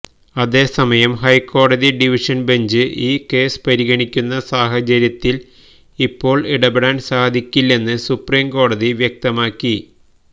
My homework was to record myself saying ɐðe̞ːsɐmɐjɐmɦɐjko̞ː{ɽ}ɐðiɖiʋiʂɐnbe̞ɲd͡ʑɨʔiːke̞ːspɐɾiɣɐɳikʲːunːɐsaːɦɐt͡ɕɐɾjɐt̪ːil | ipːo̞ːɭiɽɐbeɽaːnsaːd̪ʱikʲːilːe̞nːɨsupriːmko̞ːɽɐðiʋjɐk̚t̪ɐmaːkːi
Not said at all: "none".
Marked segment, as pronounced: ɽ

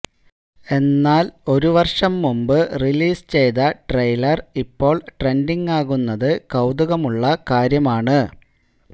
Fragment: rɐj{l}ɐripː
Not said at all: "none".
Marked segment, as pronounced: l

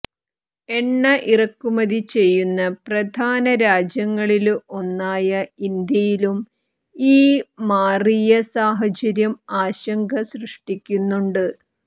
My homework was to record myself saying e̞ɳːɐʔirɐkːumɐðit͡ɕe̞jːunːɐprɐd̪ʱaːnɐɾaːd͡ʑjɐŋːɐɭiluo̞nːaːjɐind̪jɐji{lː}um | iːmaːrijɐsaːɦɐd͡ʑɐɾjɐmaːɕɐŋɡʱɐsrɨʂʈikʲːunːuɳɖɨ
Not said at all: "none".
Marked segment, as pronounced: l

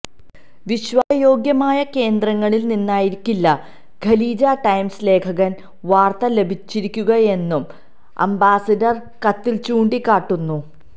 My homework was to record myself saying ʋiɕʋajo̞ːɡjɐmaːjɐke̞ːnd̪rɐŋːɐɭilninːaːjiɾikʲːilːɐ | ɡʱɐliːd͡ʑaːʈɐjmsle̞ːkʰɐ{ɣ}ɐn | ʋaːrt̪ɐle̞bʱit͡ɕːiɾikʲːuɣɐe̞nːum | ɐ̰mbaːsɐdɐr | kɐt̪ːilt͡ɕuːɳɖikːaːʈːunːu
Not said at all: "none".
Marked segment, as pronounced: ɣ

